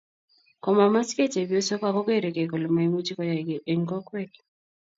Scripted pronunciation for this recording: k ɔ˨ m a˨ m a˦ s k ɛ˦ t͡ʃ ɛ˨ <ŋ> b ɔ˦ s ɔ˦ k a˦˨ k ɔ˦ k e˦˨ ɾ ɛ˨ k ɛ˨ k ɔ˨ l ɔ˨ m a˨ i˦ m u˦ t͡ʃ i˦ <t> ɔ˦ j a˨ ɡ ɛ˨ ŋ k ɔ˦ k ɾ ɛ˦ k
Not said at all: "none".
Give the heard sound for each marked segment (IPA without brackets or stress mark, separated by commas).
none, k